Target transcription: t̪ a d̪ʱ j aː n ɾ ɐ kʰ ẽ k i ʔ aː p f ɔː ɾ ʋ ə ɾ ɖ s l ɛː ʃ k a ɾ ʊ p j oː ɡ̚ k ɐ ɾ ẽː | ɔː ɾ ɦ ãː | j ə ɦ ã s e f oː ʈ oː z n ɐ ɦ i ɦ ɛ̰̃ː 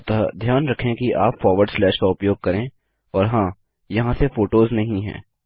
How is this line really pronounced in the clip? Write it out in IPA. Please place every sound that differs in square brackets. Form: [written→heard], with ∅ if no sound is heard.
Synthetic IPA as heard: t̪ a d̪ʱ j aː n ɾ ɐ kʰ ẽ k i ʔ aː p f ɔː ɾ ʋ ə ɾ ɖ s l ɛː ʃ k a [ɾ→∅] ʊ p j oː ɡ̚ k ɐ ɾ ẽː | ɔː ɾ ɦ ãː | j [ə→ɐ] ɦ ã s e f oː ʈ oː z n ɐ ɦ [i→ĩ] ɦ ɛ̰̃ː